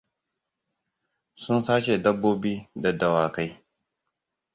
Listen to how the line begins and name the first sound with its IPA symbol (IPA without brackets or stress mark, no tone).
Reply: s